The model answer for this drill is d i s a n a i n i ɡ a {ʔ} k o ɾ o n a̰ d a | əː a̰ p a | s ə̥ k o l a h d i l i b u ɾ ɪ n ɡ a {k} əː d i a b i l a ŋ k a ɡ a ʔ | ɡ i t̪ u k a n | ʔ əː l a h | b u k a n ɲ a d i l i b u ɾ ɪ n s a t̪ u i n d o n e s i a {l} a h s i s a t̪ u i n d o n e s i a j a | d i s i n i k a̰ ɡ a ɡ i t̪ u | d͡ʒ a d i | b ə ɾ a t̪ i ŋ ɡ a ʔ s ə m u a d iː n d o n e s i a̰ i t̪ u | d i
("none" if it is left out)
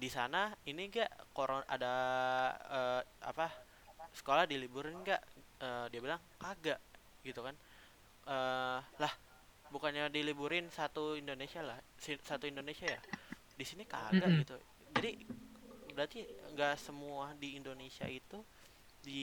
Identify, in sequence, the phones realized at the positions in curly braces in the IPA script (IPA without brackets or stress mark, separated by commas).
ʔ, ʔ, l